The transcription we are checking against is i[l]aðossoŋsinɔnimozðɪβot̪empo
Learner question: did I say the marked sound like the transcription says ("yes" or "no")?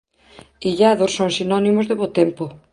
no